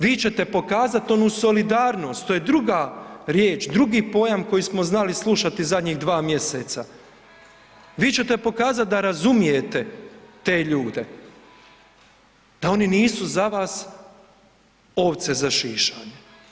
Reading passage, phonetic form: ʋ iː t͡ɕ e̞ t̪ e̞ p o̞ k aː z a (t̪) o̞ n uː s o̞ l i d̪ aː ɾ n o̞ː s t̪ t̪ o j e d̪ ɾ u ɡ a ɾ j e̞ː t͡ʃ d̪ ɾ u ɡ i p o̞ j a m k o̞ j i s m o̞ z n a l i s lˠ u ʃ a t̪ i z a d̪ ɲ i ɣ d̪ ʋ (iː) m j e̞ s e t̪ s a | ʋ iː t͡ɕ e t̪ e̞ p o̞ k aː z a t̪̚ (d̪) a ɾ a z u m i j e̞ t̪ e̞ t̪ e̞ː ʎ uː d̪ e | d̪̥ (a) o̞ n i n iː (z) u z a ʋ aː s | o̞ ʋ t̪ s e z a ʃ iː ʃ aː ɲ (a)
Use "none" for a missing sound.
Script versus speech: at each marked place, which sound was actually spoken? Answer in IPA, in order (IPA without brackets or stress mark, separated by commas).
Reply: t̪, aː, d̪, a, s, e